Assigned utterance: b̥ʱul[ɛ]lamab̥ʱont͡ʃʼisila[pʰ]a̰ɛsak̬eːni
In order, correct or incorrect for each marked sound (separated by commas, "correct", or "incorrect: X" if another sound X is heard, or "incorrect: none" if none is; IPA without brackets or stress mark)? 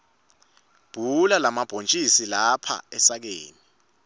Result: incorrect: a, correct